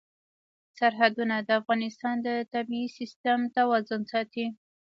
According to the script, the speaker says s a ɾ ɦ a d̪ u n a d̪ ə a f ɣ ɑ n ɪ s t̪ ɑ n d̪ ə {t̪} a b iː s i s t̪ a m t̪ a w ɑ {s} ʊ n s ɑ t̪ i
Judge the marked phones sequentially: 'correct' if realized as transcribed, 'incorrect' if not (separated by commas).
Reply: correct, incorrect